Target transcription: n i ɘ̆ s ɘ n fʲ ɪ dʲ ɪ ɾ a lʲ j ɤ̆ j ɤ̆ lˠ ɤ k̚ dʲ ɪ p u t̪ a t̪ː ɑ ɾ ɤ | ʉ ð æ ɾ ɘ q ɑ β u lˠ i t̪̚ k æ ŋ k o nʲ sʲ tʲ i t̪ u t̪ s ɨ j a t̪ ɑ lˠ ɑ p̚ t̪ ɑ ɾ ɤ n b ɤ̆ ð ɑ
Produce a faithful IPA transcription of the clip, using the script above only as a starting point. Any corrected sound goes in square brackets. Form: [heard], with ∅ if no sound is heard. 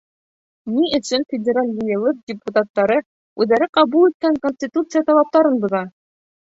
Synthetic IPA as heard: n i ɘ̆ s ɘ n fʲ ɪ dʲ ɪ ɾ a lʲ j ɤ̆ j ɤ̆ lˠ ɤ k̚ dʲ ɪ p u t̪ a t̪ː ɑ ɾ ɤ | ʉ ð æ ɾ ɘ q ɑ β u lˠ i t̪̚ k æ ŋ k o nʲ sʲ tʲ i t̪ u t̪ s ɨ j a t̪ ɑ lˠ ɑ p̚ t̪ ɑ ɾ ɤ n b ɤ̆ ð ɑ